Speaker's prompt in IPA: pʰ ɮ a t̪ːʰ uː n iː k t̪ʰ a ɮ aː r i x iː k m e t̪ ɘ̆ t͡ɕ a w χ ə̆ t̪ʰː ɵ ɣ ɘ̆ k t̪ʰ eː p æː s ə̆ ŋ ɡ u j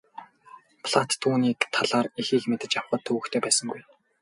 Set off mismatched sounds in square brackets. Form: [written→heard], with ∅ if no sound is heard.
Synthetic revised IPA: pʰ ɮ a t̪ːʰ uː n iː k t̪ʰ a ɮ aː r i x iː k m e t̪ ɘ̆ t͡ɕ a w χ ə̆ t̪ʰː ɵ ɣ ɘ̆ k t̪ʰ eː p æː s ə̆ ŋ ɡ u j